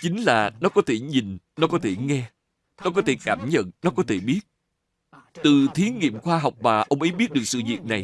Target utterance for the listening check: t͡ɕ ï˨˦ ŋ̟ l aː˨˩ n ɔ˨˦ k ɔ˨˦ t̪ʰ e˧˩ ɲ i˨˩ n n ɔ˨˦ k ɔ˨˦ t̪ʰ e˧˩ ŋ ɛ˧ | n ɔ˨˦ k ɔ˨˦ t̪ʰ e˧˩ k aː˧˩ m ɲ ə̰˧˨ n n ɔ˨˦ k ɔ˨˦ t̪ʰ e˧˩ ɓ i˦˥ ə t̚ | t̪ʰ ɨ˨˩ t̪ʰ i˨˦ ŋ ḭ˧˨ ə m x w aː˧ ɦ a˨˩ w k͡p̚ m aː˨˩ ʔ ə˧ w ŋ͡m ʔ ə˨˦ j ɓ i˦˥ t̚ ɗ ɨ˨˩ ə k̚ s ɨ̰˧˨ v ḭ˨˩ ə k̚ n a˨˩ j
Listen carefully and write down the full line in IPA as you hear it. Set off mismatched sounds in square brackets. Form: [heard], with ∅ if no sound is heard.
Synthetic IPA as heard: t͡ɕ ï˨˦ ŋ̟ l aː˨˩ n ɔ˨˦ k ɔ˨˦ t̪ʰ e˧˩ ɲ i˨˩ n n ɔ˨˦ k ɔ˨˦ t̪ʰ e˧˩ ŋ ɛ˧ | n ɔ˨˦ k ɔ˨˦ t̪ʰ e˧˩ k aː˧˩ m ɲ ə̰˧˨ n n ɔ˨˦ k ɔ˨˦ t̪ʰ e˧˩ ɓ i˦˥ ə t̚ | [t̪] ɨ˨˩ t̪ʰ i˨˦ ŋ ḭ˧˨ ə m x w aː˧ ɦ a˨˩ w k͡p̚ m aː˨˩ ʔ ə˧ w ŋ͡m ʔ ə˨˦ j ɓ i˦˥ t̚ ɗ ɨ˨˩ ə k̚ s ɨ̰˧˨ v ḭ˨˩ ə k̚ n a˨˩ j